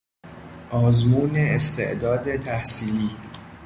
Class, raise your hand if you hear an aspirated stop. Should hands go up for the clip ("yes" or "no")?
yes